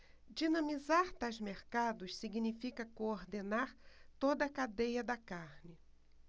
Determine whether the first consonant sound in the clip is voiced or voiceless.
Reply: voiced